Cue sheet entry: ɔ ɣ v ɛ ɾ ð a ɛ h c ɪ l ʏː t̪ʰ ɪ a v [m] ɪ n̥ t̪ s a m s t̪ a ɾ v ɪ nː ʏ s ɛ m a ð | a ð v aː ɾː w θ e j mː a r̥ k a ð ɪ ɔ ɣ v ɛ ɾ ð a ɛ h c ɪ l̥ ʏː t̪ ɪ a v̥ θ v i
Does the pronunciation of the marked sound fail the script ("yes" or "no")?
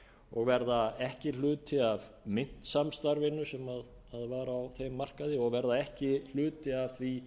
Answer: no